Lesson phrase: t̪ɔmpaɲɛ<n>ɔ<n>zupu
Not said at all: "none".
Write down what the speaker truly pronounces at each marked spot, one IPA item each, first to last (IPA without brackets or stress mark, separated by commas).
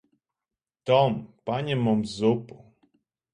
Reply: m, m